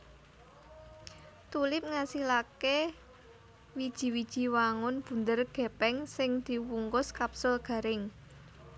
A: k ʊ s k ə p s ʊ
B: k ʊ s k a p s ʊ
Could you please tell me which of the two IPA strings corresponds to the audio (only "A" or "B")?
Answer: B